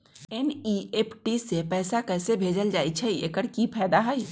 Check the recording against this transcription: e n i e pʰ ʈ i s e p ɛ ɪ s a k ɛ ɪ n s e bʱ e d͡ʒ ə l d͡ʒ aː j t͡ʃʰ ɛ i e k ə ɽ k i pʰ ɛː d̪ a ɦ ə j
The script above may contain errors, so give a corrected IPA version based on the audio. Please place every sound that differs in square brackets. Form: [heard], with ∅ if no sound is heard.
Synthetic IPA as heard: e n i e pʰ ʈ i s e p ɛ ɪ s a k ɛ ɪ [∅] s e bʱ e d͡ʒ ə l d͡ʒ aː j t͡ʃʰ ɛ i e k ə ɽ k i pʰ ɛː d̪ a ɦ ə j